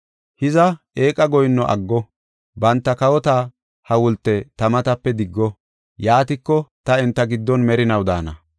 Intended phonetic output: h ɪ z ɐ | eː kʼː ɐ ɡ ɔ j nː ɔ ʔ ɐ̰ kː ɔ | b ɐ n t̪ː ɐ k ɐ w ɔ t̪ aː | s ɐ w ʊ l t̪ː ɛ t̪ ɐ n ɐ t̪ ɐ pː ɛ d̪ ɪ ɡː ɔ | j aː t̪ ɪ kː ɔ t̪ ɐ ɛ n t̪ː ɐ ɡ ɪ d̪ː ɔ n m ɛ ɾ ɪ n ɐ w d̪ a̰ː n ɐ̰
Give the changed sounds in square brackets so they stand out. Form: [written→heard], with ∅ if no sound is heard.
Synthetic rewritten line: h ɪ z ɐ | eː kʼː ɐ ɡ ɔ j nː ɔ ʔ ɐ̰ [kː→ɡː] ɔ | b ɐ n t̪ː ɐ k ɐ w ɔ t̪ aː | [s→h] ɐ w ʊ l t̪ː ɛ t̪ ɐ [n→m] ɐ t̪ ɐ pː ɛ d̪ ɪ ɡː ɔ | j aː t̪ ɪ kː ɔ t̪ ɐ ɛ n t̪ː ɐ ɡ ɪ d̪ː ɔ n m ɛ ɾ ɪ n ɐ w d̪ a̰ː n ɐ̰